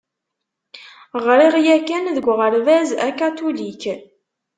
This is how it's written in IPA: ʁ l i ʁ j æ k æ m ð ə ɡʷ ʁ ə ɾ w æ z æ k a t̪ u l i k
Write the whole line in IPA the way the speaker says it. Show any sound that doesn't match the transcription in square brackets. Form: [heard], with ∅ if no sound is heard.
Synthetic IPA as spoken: ʁ [ɾ] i ʁ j æ k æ [n] ð ə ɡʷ ʁ ə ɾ [v] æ z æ k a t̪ u l i k

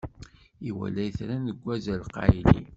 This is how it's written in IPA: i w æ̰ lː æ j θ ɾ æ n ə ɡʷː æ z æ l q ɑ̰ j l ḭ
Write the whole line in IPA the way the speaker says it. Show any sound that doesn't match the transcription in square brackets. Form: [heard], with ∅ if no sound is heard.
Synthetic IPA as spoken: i w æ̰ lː æ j θ ɾ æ n ə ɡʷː æ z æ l q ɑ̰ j l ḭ

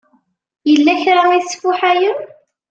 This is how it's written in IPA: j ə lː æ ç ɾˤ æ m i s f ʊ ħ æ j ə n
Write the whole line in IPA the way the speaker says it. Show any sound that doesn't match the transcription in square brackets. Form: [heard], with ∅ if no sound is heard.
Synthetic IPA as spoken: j ə lː æ ç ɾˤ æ m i s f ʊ ħ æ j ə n

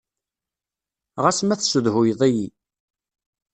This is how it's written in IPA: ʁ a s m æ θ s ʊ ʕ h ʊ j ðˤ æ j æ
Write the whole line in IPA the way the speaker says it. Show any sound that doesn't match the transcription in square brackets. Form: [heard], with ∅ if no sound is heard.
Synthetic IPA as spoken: ʁ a s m æ θ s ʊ [ð] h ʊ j ðˤ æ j [i]

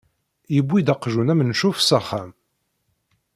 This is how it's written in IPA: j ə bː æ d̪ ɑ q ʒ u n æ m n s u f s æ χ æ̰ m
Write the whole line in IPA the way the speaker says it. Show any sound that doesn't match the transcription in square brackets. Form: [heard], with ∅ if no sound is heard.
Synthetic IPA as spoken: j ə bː [i] d̪ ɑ q ʒ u n æ m n [ʃ] u f s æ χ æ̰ m

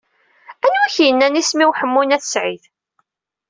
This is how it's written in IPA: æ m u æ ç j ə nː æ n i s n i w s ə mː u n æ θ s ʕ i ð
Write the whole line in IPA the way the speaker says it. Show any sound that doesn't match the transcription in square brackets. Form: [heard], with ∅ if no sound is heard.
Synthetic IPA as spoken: æ [n] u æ ç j ə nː æ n i s [m] i w [ħ] ə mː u n æ θ s ʕ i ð

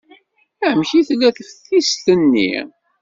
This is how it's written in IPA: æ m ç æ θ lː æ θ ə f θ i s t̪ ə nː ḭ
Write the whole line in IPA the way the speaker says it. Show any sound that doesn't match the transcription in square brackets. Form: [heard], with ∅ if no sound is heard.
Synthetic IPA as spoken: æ m ç [i] θ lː æ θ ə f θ i s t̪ ə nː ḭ

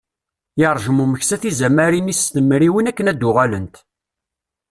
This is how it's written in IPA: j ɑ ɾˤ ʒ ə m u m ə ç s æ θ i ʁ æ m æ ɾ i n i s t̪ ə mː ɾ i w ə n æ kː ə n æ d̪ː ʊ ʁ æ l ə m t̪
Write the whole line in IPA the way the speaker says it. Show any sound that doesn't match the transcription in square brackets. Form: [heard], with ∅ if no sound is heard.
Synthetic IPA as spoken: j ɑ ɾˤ ʒ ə m u m ə ç s æ θ i [z] æ m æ ɾ i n i s t̪ ə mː ɾ i w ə n æ kː ə n æ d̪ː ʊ ʁ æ l ə [n] t̪

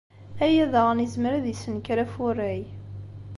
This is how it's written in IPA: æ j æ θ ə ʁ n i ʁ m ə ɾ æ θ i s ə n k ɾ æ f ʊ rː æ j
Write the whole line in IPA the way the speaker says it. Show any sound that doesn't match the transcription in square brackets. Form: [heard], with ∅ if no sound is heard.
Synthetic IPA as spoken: æ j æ [ð] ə ʁ n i [z] m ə ɾ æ [ð] i s ə n k ɾ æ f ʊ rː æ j

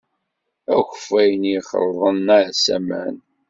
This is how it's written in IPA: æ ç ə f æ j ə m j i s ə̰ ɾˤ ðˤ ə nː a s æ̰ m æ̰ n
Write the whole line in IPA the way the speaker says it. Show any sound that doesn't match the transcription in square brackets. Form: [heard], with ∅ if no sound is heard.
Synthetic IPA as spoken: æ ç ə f æ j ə [n] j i [χ] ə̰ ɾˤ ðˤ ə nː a s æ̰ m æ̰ n

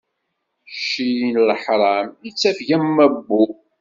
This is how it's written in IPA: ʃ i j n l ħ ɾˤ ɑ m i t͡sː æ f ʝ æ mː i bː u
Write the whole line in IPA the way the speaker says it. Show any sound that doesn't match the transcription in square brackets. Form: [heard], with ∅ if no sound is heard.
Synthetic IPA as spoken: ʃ i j n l ħ ɾˤ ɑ m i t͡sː æ f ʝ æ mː [æ] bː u

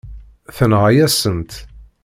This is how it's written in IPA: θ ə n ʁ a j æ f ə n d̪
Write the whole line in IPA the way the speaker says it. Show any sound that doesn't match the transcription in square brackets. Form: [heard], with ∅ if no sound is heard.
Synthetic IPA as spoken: θ ə n ʁ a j æ [s] ə n [t̪]

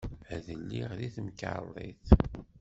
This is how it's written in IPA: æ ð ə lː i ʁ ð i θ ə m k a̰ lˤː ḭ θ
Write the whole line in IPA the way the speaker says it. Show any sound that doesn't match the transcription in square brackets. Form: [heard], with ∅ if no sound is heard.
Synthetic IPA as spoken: æ ð ə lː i ʁ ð i θ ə m k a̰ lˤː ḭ θ

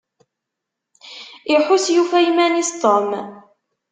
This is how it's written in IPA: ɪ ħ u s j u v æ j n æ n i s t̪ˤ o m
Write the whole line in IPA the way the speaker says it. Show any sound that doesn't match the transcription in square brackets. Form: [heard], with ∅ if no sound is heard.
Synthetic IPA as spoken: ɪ ħ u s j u [f] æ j [m] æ n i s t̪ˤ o m

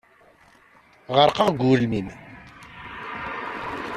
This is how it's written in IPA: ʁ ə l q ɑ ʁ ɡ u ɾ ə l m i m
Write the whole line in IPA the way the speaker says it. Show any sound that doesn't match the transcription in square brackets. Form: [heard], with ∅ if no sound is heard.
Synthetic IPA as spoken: ʁ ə [ɾ] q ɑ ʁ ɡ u ɾ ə l m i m

